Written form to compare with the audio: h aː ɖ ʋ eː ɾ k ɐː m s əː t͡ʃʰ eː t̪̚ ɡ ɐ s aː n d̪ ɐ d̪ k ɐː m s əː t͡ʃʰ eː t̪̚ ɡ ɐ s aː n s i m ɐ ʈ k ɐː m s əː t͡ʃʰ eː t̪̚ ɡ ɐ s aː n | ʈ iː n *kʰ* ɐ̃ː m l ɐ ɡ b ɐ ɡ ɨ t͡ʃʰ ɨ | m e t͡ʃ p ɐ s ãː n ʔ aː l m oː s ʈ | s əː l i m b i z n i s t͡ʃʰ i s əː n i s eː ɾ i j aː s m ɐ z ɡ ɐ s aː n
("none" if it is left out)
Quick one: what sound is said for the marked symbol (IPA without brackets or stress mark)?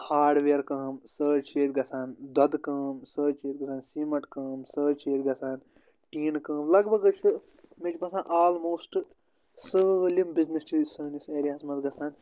k